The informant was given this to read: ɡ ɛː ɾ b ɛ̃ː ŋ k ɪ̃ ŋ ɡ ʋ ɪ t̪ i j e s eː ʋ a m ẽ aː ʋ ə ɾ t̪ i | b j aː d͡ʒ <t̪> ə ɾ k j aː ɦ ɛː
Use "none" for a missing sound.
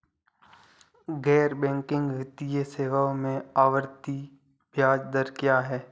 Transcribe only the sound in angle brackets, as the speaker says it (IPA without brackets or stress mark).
d̪